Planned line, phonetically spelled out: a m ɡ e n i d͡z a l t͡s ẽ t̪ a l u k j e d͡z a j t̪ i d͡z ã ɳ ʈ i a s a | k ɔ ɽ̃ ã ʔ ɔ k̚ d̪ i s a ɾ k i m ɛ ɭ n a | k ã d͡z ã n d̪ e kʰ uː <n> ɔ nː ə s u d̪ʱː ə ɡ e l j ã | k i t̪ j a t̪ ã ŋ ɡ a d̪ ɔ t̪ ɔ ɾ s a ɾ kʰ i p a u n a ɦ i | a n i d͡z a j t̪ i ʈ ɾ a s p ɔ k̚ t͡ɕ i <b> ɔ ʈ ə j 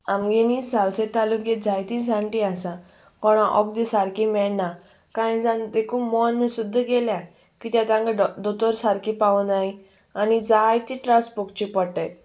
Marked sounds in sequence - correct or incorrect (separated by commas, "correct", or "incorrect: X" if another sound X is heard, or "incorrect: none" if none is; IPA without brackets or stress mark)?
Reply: incorrect: m, incorrect: p